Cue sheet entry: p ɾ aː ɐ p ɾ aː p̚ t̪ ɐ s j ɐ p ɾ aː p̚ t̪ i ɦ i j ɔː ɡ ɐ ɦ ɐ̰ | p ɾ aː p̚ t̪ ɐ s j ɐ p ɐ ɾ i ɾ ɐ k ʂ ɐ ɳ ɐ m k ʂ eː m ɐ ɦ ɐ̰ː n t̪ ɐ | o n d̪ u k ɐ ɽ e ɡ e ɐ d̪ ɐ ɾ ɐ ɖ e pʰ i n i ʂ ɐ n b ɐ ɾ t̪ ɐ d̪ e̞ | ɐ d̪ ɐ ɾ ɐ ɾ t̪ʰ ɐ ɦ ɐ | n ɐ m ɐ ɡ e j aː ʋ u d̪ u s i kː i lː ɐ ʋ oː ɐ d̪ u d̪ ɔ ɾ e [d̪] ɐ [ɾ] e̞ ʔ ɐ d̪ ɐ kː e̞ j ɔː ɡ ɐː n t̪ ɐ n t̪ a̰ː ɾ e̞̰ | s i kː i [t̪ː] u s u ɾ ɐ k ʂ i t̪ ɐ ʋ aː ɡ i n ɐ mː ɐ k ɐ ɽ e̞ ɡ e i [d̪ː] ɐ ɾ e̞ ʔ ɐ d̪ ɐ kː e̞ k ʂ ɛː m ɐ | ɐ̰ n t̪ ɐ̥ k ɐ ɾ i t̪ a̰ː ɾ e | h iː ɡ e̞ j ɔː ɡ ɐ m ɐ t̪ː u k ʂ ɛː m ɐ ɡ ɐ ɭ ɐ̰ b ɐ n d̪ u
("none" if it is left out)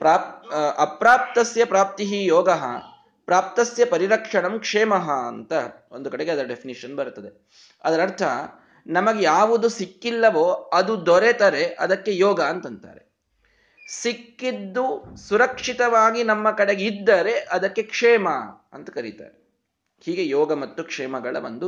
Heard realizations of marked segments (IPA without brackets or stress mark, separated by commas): t̪, ɾ, d̪ː, d̪ː